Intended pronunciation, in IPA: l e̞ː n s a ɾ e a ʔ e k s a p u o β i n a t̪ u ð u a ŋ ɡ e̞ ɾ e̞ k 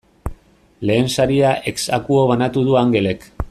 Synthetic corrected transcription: l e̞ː n s a ɾ i a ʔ e k s a k u o β a n a t̪ u ð u a ŋ ɡ e̞ l e̞ k